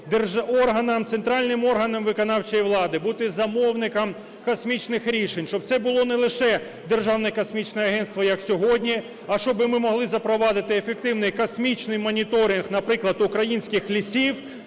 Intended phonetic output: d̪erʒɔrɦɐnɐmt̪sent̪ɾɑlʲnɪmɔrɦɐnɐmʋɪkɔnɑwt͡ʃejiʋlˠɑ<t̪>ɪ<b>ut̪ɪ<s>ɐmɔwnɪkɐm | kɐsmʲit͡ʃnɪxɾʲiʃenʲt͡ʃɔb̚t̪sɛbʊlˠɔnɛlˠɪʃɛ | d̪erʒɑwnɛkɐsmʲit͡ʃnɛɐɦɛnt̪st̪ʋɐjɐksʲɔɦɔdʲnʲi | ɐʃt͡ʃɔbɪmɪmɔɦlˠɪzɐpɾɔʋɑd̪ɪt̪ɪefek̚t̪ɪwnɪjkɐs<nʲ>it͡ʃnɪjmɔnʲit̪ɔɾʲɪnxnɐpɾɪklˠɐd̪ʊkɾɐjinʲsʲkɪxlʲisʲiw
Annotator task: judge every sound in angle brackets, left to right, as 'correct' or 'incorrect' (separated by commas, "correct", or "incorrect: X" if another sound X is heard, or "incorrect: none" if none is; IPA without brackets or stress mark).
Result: incorrect: d̪, correct, incorrect: z, incorrect: mʲ